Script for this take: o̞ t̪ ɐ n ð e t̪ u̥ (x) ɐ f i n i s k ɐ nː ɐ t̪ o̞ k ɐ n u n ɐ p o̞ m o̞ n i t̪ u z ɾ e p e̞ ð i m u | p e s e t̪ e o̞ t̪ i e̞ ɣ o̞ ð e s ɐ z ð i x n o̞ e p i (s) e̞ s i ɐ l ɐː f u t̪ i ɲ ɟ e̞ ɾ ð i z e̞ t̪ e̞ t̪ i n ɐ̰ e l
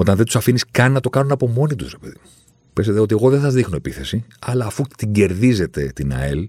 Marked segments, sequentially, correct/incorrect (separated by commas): incorrect, incorrect